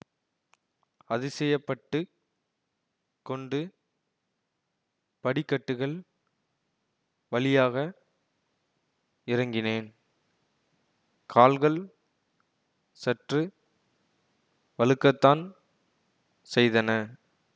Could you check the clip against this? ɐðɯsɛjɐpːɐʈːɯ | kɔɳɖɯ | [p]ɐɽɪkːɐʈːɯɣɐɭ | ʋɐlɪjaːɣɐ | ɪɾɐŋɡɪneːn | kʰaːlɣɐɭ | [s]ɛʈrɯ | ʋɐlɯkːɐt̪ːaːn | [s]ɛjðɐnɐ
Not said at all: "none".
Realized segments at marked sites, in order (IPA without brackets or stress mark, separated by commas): p, s, s